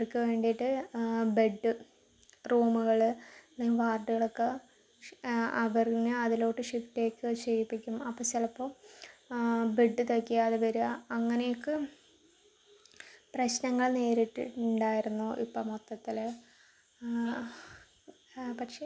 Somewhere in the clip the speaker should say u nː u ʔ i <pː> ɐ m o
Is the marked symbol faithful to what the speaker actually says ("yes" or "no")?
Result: yes